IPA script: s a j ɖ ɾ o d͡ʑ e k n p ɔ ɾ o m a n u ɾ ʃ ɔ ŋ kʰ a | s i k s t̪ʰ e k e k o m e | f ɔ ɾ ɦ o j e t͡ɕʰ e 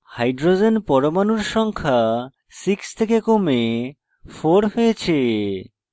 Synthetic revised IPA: h a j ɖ ɾ o d͡ʑ e n p ɔ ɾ o m a n u ɾ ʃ ɔ ŋ kʰ a | s i k s t̪ʰ e k e k o m e | f o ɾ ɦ o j e t͡ɕʰ e